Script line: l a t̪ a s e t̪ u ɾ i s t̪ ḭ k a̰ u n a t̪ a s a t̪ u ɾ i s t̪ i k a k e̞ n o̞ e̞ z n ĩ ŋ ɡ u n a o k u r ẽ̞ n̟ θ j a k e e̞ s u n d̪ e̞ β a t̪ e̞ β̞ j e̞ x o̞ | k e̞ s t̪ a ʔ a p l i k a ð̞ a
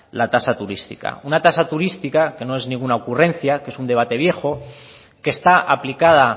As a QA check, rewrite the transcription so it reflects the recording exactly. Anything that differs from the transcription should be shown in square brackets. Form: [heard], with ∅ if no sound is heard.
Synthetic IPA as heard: l a t̪ a s [a] t̪ u ɾ i s t̪ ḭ k a̰ u n a t̪ a s a t̪ u ɾ i s t̪ i k a k e̞ n o̞ e̞ z n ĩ ŋ ɡ u n a o k u r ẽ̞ n̟ θ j a k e e̞ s u n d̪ e̞ β a t̪ e̞ β̞ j e̞ x o̞ | k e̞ s t̪ a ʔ a p l i k a ð̞ a